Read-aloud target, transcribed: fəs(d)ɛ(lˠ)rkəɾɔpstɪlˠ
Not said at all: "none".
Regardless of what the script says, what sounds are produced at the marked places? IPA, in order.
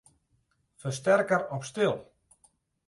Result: t, none

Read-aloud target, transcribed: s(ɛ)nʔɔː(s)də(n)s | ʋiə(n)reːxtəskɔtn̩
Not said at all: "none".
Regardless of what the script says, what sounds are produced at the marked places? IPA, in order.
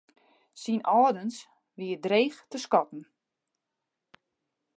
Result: i, none, n, d

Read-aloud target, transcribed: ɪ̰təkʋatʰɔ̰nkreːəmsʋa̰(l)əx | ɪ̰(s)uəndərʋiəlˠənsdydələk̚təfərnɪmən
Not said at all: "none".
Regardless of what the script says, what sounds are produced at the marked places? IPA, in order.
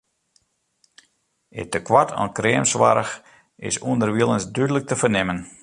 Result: ɾ, s

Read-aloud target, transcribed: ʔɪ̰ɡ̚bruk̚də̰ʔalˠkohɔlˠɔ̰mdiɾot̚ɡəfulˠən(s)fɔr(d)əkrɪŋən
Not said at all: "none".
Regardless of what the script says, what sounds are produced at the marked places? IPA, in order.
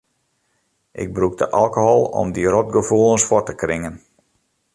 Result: s, t

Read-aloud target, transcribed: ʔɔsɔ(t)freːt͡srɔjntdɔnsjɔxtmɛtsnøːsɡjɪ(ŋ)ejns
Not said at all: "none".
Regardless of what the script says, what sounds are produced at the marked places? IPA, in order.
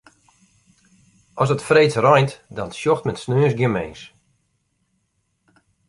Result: t, m

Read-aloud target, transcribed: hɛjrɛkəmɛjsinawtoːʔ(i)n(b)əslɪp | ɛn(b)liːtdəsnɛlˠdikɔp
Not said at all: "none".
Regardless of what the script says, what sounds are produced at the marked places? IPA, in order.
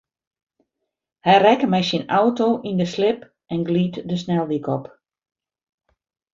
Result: i, d, ɡ

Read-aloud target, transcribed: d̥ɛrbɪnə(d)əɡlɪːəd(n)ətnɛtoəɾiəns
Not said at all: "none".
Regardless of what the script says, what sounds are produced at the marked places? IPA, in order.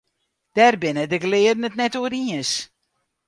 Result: d, n

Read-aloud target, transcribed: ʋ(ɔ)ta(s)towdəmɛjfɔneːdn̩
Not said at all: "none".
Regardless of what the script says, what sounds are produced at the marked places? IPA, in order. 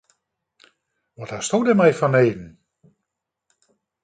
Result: ɔ, s

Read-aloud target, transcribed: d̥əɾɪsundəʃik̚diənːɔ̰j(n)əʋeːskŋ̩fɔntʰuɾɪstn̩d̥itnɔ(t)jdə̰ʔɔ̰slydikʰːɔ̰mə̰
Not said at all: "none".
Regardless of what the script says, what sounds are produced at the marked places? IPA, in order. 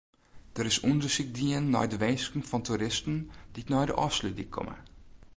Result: d, none

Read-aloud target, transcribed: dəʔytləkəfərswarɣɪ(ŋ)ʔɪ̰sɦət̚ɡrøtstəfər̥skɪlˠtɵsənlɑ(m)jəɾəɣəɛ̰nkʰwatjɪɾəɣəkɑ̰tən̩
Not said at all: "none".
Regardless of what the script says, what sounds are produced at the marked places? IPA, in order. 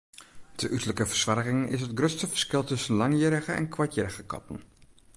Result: ŋ, ŋ

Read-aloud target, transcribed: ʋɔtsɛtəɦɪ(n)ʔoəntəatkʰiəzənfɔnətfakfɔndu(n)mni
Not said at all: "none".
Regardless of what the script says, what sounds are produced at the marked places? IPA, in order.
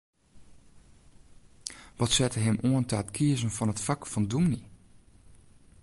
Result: m, none

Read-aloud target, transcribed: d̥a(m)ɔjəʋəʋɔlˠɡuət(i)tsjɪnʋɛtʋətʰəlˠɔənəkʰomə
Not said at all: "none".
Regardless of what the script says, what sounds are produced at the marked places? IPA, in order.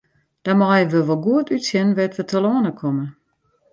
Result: m, y

